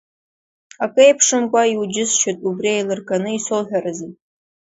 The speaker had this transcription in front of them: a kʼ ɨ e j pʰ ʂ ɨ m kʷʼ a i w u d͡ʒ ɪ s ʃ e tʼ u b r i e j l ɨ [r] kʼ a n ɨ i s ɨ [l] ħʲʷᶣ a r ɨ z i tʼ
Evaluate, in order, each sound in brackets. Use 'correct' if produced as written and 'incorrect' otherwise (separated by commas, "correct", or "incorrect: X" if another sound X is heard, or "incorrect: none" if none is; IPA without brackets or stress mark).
correct, correct